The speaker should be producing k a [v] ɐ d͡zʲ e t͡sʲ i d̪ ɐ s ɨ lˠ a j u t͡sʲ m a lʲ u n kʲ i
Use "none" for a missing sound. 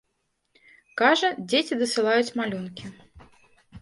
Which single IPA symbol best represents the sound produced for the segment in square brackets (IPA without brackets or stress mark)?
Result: ʐ